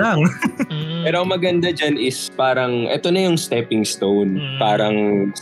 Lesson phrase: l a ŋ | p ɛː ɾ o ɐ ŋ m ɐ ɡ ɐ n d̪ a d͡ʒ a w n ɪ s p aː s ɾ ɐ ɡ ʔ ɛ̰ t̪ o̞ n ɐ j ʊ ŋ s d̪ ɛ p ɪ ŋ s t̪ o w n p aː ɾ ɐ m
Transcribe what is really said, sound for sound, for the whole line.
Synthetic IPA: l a ŋ | p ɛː ɾ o ɐ ŋ m ɐ ɡ ɐ n d̪ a d͡ʒ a n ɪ s p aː ɾ ɐ ŋ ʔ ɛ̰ t̪ o̞ n ɐ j ʊ ŋ s t̪ ɛ p ɪ ŋ s t̪ o w n p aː ɾ ɐ ŋ